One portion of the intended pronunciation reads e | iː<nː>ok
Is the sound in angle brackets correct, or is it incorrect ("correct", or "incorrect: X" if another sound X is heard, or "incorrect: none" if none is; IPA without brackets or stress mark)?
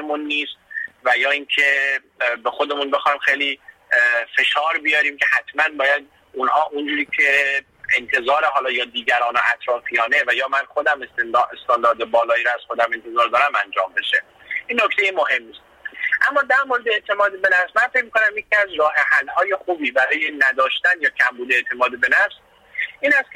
correct